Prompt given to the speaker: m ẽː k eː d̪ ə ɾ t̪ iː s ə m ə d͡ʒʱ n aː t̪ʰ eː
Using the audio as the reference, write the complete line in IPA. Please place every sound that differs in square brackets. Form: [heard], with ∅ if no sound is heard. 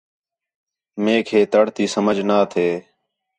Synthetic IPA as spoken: m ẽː [kʰ] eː [t̪] ə [ɽ] t̪ iː s ə m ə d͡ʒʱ n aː t̪ʰ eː